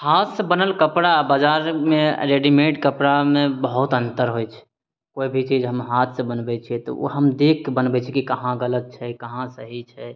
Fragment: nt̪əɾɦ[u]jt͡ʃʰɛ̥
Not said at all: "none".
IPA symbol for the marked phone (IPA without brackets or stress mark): o